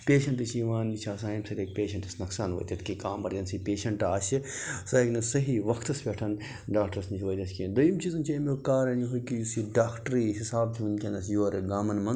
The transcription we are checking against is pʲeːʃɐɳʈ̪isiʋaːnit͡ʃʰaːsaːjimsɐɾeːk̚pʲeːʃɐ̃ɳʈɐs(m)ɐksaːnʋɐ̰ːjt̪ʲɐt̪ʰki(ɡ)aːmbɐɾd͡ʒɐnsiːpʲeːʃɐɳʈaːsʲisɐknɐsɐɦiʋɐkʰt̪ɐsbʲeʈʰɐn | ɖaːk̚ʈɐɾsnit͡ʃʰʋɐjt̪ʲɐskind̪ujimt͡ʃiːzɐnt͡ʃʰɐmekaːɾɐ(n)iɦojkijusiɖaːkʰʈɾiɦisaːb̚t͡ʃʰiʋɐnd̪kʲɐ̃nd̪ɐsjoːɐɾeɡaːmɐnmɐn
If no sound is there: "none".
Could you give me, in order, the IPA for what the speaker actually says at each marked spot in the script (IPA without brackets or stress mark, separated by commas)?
n, k, n